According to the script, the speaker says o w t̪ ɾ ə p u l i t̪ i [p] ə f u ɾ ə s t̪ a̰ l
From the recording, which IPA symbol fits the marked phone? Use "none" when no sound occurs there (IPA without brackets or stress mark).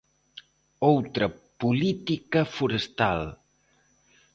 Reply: k